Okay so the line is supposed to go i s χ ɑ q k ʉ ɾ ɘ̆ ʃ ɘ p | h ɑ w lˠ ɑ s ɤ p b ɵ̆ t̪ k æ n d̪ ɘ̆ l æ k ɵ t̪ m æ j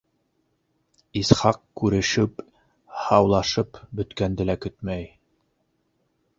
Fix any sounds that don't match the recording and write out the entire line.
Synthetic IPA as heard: i s χ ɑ q k ʉ ɾ ɘ̆ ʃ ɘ p | h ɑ w lˠ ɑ ʃ ɤ p b ɵ̆ t̪ k æ n d̪ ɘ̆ l æ k ɵ t̪ m æ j